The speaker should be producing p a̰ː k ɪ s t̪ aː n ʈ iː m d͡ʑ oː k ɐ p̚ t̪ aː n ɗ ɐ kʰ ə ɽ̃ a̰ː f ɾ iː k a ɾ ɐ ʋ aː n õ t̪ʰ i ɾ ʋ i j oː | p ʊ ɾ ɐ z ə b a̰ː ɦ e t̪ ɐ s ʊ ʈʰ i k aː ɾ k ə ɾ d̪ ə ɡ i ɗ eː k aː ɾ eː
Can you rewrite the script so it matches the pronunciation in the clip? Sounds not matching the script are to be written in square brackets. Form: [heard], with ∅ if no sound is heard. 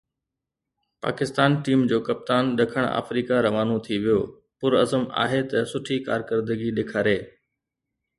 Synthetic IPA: p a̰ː k ɪ s t̪ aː n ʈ iː m d͡ʑ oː k ɐ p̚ t̪ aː n ɗ ɐ kʰ ə ɽ̃ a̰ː f ɾ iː k a ɾ ɐ ʋ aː n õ t̪ʰ i [∅] ʋ i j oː | p ʊ ɾ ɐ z ə [m] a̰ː ɦ e t̪ ɐ s ʊ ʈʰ i k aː ɾ k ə ɾ d̪ ə ɡ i ɗ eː [kʰ] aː ɾ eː